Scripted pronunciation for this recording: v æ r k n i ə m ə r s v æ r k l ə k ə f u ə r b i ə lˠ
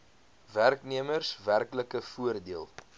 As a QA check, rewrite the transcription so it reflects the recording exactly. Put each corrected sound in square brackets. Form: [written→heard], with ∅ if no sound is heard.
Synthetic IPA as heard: v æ r k n i ə m ə r s v æ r k l ə k ə f u ə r [b→d] i ə lˠ